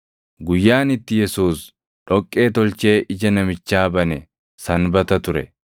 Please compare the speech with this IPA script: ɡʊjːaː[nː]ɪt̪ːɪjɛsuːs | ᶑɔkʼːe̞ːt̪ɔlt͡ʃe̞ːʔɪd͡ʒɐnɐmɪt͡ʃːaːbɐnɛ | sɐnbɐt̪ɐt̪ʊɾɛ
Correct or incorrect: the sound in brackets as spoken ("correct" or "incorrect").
incorrect